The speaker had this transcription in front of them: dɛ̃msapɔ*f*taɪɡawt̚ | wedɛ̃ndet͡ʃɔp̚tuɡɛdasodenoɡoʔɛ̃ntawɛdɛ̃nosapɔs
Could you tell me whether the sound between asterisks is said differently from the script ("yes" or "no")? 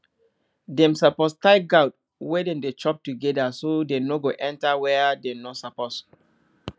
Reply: yes